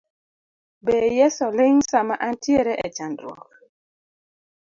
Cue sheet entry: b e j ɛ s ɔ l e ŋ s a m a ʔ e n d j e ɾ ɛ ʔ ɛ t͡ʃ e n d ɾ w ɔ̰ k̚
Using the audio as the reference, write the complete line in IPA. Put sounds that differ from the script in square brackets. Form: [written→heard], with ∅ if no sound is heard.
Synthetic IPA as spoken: b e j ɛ s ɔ l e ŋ s a m a ʔ [e→a] n [d→t] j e ɾ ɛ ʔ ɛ t͡ʃ [e→a] n d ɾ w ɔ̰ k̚